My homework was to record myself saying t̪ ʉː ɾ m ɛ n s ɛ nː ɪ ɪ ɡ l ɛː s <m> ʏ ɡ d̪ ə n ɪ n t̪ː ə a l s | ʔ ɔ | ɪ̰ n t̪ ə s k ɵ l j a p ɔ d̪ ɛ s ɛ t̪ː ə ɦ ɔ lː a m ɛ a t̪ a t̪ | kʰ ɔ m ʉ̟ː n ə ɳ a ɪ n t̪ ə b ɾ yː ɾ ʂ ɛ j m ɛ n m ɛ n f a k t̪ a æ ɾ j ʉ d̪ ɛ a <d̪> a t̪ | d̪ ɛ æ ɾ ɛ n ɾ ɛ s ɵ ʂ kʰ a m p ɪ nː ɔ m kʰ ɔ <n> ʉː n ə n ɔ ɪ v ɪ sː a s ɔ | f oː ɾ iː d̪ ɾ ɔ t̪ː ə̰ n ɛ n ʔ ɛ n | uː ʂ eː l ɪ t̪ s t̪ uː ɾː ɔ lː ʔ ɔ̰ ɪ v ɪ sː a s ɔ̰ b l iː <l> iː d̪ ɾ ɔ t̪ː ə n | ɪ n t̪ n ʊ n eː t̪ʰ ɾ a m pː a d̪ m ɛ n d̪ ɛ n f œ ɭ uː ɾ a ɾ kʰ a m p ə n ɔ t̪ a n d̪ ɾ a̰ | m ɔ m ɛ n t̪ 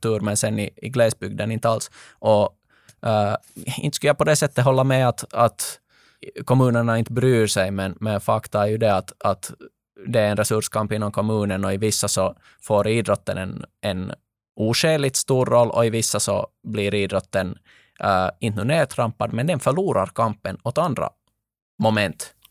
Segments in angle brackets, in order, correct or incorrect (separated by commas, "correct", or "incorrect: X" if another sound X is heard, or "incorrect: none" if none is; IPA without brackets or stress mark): incorrect: b, incorrect: t̪, incorrect: m, incorrect: ɾ